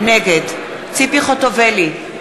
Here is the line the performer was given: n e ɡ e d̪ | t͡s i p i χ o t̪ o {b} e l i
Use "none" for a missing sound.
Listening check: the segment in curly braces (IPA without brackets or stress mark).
v